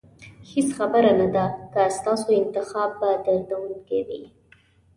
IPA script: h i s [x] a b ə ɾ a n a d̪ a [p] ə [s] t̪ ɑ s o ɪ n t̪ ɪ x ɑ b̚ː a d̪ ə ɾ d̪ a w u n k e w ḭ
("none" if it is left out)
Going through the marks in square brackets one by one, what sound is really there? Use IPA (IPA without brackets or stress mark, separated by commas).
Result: x, k, s